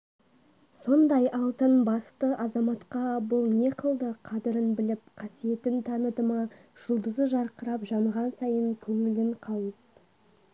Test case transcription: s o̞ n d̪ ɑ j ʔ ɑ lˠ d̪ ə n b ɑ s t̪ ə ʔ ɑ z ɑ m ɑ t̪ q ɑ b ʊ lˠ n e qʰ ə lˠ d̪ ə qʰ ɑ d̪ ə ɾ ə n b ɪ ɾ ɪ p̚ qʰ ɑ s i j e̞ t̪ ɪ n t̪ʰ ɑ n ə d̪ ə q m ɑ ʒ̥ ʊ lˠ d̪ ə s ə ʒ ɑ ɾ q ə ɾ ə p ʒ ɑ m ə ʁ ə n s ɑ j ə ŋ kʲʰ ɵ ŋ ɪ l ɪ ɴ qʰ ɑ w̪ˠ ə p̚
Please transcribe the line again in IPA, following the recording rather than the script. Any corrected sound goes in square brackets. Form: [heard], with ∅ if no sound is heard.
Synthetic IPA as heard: s o̞ n d̪ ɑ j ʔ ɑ lˠ [t̪] ə n b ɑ s t̪ ə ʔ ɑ z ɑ m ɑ t̪ q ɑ b ʊ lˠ n e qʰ ə lˠ d̪ ə qʰ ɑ d̪ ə ɾ ə n b ɪ [l] ɪ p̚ qʰ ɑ s i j e̞ t̪ ɪ n t̪ʰ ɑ n ə d̪ ə [∅] m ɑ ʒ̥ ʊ lˠ d̪ ə [z] ə ʒ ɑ ɾ q ə ɾ [ɑ] p ʒ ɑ m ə ʁ [ɑ] n s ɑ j ə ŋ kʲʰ ɵ ŋ ɪ l ɪ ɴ qʰ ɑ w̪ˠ ə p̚

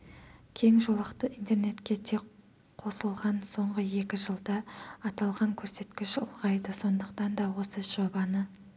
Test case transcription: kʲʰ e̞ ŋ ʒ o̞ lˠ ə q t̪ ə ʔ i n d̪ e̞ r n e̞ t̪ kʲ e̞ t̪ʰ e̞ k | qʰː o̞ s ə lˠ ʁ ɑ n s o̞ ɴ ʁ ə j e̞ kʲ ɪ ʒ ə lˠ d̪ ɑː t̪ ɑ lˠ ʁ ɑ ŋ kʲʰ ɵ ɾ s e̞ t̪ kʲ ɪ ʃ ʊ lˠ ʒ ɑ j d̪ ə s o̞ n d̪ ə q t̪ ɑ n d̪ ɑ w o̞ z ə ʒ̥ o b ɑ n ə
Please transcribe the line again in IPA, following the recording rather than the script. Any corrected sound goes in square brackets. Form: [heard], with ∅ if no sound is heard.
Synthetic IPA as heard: kʲʰ e̞ ŋ ʒ o̞ lˠ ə q t̪ ə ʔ i n [t̪] e̞ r n e̞ t̪ kʲ e̞ t̪ʰ e̞ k | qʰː o̞ s ə lˠ ʁ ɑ n s o̞ ɴ ʁ ə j e̞ kʲ ɪ ʒ ə lˠ d̪ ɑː t̪ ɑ lˠ ʁ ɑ ŋ kʲʰ ɵ ɾ s e̞ t̪ kʲ ɪ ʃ ʊ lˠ [ʁ] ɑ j d̪ ə s o̞ n d̪ ə q t̪ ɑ n d̪ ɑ w o̞ [s] ə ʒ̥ o b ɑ n ə

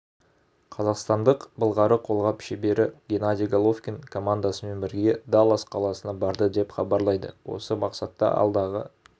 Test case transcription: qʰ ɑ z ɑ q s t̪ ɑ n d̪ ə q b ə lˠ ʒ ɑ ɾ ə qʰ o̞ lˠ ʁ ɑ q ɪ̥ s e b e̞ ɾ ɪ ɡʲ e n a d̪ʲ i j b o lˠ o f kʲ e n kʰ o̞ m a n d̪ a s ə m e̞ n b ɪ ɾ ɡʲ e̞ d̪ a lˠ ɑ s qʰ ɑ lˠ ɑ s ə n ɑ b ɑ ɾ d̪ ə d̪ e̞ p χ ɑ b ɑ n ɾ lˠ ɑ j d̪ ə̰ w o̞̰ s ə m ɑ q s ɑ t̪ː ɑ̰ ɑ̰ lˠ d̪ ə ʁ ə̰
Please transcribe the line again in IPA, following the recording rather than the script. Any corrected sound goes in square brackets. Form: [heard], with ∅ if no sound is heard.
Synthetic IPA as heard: qʰ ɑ z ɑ q s t̪ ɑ n d̪ ə q b ə lˠ [ʁ] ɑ ɾ ə qʰ o̞ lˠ ʁ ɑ [p] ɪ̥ [ʃ] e b e̞ ɾ ɪ ɡʲ e n a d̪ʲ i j [ɡ] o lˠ o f kʲ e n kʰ o̞ m a n d̪ a s ə m e̞ n b ɪ ɾ ɡʲ e̞ d̪ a lˠ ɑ s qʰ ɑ lˠ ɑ s ə n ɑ b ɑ ɾ d̪ ə d̪ e̞ p χ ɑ b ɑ [∅] ɾ lˠ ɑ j d̪ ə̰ w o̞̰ s ə m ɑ q s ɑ t̪ː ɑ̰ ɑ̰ lˠ d̪ [ɑ] ʁ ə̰

